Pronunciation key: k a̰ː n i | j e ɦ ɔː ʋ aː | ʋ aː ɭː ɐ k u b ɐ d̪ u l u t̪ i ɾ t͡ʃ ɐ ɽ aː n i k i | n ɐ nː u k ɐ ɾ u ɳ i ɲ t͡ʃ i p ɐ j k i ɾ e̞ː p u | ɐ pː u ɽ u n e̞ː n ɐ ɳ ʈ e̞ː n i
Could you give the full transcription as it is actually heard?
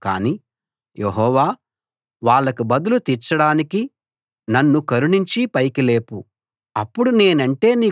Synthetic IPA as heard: k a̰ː n i | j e ɦ ɔː ʋ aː | ʋ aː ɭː ɐ k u b ɐ d̪ u l u t̪ i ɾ t͡ʃ ɐ ɽ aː n i k i | n ɐ nː u k ɐ ɾ u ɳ i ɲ t͡ʃ i p ɐ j k i l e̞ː p u | ɐ pː u ɽ u n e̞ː n ɐ ɳ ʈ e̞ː n iː